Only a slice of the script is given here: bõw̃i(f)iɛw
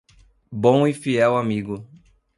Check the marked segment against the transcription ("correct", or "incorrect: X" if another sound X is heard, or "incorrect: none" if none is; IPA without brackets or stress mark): correct